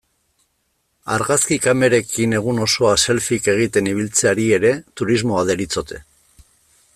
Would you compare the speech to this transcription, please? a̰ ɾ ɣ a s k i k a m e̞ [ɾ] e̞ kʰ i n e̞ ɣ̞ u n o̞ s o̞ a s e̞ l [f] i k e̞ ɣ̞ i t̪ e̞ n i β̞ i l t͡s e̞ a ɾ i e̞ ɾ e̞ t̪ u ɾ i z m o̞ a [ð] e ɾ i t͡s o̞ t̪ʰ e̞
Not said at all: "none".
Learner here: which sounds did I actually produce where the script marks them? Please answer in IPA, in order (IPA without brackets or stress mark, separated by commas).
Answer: ɾ, f, ð